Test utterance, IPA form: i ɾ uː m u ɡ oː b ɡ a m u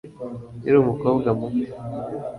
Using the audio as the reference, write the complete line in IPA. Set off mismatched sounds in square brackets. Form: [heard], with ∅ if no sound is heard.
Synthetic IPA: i ɾ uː m u [k] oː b ɡ a m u